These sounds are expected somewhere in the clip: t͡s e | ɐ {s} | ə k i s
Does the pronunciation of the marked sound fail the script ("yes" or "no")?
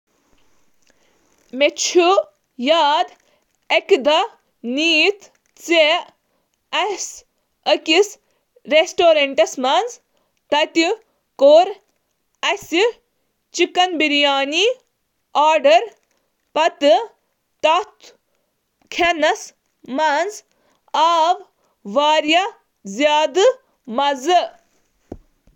no